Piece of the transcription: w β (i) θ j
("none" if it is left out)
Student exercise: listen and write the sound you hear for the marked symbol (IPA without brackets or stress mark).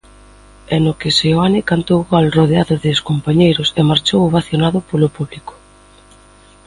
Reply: a